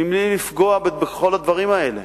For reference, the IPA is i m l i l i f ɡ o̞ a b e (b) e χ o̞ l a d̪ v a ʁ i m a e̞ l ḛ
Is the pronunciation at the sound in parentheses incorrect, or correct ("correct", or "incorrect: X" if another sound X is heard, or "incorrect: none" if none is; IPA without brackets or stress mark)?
correct